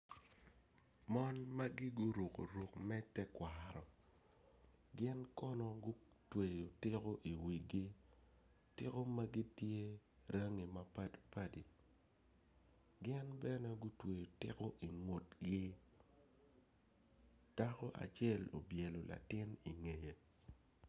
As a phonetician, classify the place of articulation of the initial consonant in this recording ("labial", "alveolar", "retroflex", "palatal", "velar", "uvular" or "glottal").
labial